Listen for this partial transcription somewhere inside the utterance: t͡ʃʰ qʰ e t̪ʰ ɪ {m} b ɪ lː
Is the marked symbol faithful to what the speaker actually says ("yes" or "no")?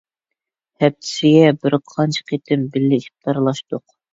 yes